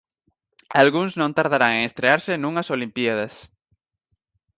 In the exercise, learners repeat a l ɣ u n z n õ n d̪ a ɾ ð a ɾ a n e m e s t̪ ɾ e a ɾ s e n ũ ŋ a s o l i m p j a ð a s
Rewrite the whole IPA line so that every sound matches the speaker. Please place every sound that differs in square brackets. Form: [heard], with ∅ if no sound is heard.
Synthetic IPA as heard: a l ɣ u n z n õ n [t̪] a ɾ ð a ɾ a [ŋ] e [ŋ] e s t̪ ɾ e a ɾ s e n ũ ŋ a s o l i m p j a ð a s